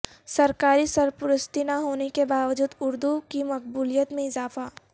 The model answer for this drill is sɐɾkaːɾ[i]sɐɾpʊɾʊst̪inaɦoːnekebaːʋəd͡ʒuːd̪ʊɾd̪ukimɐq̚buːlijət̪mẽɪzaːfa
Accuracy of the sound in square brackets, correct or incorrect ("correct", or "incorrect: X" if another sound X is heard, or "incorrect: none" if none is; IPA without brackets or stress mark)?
correct